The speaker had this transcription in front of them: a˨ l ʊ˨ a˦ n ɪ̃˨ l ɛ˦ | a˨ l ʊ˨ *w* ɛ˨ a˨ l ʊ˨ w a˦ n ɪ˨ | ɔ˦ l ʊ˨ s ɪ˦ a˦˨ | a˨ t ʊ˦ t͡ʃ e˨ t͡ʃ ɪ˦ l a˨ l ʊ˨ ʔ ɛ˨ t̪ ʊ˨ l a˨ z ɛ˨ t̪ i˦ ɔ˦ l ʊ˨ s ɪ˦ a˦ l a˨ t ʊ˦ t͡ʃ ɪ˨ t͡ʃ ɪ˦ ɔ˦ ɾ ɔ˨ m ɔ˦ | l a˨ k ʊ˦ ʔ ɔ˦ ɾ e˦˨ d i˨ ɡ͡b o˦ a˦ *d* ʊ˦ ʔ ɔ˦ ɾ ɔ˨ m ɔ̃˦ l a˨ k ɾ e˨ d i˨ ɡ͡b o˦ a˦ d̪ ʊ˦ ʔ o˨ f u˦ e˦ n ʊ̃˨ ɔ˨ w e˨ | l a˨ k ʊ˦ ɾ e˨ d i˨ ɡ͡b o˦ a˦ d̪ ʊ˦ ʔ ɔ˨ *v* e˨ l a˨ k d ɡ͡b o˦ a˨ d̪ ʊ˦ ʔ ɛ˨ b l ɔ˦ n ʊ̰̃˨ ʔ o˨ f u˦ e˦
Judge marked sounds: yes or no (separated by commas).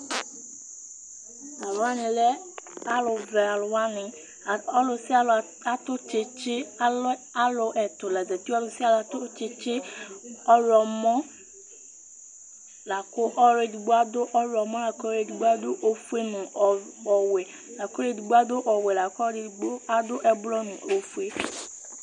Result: no, yes, no